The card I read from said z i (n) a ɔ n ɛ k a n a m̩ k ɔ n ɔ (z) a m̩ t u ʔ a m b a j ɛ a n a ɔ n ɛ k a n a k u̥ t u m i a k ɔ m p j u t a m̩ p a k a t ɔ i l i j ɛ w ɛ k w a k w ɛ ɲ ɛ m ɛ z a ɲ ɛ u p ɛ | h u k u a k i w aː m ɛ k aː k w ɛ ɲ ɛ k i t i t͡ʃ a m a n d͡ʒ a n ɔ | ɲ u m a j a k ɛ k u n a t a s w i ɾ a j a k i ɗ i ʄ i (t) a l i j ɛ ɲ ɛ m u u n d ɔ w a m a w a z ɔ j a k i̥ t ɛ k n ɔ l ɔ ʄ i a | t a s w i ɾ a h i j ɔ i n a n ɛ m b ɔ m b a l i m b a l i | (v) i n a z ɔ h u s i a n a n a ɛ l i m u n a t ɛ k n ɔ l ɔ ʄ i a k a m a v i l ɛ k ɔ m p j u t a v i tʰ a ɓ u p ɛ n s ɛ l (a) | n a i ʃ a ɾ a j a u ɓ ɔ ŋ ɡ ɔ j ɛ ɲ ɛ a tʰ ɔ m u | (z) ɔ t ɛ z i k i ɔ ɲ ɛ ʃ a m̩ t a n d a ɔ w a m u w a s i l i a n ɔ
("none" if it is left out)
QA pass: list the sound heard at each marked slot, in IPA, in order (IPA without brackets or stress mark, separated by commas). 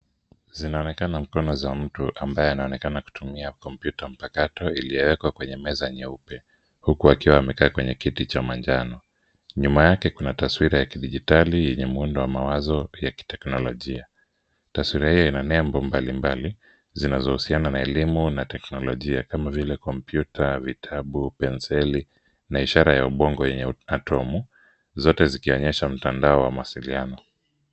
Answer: n, z, t, z, i, z